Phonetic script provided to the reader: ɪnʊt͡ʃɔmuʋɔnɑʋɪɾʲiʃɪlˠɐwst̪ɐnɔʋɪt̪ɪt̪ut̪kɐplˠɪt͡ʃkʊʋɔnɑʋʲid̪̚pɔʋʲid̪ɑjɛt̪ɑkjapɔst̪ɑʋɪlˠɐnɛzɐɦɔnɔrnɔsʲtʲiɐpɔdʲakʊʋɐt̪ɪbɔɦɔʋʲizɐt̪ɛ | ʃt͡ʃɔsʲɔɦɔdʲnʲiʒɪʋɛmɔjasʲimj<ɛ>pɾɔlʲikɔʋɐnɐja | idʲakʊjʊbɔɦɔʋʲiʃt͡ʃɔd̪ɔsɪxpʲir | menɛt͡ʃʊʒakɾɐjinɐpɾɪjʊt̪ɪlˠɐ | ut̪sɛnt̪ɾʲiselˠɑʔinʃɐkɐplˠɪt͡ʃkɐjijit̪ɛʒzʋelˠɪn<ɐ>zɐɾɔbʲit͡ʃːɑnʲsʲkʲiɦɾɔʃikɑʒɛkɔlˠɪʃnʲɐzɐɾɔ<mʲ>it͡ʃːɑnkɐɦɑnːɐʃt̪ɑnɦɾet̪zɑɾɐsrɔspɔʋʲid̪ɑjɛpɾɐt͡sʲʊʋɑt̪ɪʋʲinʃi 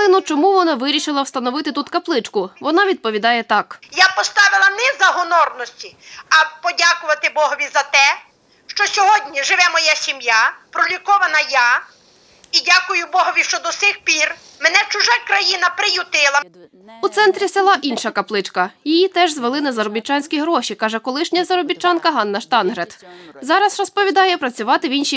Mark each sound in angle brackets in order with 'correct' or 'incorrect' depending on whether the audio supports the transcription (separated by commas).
incorrect, correct, incorrect